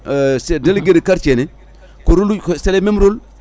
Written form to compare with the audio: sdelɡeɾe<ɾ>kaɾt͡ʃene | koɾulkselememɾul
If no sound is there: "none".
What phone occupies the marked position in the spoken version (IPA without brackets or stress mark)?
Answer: none